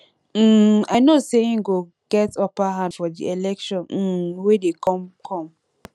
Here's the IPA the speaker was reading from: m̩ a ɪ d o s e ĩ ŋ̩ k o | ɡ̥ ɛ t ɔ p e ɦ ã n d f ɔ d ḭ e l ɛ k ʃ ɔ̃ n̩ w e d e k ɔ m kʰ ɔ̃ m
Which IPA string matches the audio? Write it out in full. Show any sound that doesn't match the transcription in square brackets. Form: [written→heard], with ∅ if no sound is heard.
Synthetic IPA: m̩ a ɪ [d→n] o s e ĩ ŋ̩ [k→ɡ] o | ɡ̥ ɛ t ɔ p [e→a] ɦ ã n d f ɔ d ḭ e l ɛ k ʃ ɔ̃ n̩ w e d e k ɔ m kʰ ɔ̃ m